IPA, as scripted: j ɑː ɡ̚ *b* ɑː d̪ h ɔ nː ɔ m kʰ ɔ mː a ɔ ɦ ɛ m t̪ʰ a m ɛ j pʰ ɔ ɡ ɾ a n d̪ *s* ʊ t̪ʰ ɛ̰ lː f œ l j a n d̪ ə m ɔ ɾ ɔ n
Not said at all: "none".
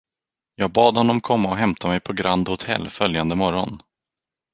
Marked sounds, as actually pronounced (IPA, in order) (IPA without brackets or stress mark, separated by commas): b, h